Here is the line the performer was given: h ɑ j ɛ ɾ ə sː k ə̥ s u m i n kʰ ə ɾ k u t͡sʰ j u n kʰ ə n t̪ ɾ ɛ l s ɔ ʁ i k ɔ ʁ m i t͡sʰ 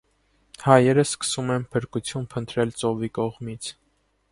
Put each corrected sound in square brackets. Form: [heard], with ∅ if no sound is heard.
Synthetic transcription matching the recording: h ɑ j ɛ ɾ ə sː k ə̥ s u m [ɛ] n [pʰ] ə ɾ k u t͡sʰ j u n [pʰ] ə n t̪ ɾ ɛ l [t͡s] ɔ [v] i k ɔ ʁ m i t͡sʰ